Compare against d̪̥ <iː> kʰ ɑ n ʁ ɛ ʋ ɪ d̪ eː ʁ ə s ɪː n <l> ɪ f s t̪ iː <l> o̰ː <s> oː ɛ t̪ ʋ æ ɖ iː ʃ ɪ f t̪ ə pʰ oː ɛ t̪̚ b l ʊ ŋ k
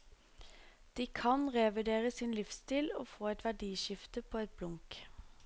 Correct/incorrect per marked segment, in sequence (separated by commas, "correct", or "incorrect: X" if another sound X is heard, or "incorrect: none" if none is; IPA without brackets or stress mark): correct, correct, correct, incorrect: f